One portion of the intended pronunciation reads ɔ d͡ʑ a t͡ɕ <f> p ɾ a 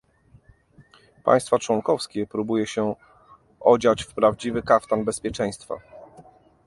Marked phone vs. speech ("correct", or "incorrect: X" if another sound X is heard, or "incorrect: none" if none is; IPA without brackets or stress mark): correct